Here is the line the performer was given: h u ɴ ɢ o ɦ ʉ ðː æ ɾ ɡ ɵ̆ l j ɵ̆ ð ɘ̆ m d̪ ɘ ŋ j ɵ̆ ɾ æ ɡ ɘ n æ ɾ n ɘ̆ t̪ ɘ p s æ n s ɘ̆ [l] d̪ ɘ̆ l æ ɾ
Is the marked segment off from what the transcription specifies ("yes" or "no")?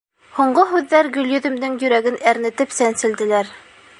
no